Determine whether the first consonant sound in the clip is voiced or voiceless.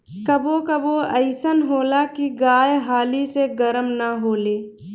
voiceless